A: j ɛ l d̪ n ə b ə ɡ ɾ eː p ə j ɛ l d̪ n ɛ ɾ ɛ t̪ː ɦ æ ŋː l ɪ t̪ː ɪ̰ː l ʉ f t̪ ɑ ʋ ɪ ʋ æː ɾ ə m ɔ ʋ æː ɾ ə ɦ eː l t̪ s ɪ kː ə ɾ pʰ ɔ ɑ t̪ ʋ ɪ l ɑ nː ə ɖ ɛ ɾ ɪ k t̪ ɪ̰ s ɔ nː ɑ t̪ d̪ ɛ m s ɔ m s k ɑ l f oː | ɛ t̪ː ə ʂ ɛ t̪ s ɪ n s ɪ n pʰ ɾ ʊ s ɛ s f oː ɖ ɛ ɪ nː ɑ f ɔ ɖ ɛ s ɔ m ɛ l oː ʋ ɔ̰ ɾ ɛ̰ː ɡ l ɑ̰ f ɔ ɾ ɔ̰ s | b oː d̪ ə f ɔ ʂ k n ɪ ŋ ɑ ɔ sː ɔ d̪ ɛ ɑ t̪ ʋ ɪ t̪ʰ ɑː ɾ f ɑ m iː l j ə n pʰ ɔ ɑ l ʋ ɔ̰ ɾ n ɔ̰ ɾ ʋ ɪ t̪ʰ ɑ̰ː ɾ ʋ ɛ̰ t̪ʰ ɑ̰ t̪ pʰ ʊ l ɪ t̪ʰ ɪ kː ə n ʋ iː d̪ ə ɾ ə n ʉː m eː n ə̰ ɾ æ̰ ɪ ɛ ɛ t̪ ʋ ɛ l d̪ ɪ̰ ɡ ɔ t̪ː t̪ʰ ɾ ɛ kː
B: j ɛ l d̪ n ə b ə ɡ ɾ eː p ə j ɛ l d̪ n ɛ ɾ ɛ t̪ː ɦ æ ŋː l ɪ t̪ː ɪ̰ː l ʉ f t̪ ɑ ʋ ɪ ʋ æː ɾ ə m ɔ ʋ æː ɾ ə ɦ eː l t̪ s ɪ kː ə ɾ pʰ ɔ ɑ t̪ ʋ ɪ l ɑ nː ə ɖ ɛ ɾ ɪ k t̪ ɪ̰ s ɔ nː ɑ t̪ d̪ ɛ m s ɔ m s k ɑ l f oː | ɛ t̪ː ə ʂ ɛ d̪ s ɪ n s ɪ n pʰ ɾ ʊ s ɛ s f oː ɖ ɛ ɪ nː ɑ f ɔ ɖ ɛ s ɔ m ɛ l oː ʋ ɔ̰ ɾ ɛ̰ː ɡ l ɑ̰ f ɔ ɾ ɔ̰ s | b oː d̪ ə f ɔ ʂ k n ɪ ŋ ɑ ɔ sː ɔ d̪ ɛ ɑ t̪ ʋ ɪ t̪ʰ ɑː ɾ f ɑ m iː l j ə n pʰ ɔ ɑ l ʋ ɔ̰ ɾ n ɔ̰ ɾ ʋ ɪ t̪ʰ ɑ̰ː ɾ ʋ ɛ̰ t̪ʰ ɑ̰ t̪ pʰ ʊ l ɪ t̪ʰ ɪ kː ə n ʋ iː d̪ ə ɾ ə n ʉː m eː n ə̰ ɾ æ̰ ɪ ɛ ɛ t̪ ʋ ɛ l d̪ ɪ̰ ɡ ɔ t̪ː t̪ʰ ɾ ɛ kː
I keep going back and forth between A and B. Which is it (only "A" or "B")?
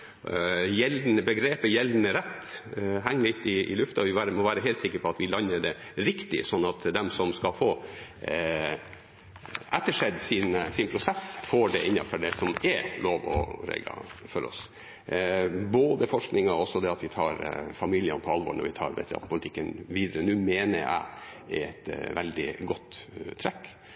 B